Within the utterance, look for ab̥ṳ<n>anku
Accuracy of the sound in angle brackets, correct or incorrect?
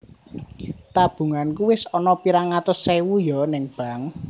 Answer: incorrect